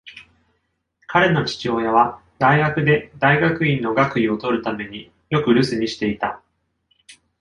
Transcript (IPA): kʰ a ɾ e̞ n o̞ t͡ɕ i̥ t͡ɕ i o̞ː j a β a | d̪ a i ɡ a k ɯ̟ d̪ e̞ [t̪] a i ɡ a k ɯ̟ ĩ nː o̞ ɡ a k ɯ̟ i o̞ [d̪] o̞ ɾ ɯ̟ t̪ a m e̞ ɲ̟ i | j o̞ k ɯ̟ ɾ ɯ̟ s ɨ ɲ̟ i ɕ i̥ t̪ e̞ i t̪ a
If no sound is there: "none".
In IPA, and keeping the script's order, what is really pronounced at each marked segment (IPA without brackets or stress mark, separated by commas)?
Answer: d̪, t̪